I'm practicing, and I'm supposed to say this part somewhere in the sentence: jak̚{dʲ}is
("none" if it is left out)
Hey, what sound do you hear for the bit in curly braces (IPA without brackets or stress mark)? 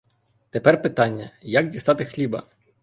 dʲ